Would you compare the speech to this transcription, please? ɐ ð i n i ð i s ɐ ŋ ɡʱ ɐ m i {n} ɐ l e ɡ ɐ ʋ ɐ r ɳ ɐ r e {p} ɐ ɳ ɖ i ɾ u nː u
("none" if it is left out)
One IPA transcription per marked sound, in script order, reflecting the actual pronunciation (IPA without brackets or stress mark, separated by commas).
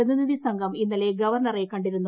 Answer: nː, k